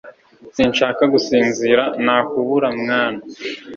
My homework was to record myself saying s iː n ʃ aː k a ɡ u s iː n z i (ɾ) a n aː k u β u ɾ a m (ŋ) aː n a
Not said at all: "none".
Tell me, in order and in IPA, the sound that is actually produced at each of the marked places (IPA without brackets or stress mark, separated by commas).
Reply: ɾ, ŋ